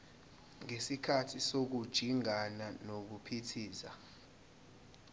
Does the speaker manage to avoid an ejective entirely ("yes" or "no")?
yes